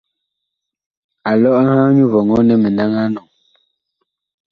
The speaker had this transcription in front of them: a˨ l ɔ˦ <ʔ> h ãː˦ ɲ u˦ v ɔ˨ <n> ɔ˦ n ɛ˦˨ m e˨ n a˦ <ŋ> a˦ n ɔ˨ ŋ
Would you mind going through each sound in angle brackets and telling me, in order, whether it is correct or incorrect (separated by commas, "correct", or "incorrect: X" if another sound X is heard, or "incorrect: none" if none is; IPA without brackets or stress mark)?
correct, incorrect: ŋ, correct